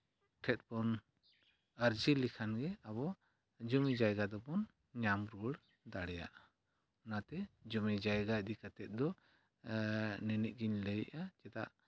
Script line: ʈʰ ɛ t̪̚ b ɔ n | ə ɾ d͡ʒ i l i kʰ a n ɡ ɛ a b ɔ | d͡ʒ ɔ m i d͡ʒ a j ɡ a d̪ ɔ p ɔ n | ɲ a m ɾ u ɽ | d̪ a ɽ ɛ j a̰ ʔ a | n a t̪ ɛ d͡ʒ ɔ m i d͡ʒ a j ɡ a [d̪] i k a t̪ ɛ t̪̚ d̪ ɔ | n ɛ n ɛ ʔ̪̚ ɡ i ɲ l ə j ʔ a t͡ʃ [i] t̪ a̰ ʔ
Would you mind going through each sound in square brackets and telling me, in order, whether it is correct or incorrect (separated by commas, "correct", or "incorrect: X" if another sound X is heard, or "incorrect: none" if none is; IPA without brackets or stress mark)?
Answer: correct, incorrect: ɛ